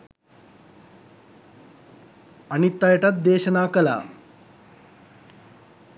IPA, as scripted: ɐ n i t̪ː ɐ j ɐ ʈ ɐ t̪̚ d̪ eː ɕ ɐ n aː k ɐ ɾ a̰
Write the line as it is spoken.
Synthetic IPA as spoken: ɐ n i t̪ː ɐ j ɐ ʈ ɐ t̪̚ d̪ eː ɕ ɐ n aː k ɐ l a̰